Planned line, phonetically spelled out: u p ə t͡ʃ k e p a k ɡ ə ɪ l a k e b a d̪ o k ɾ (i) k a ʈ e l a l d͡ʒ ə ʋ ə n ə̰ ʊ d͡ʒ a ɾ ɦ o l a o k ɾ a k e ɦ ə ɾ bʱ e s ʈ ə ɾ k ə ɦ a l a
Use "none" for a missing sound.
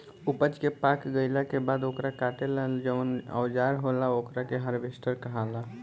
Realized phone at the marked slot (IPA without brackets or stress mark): a